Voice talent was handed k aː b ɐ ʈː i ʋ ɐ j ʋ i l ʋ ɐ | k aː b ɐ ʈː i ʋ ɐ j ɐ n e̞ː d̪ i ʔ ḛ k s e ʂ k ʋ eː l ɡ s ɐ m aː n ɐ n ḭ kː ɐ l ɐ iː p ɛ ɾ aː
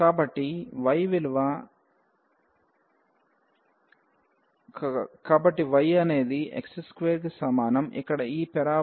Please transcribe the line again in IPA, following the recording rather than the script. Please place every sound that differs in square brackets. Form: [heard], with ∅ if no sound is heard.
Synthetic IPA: k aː b ɐ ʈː i ʋ ɐ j ʋ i l ʋ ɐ | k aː b ɐ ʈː i ʋ ɐ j ɐ n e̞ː d̪ i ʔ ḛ k s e [s] k ʋ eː [ɾ] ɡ s ɐ m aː n ɐ [m] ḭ kː ɐ [ɽ] ɐ iː p ɛ ɾ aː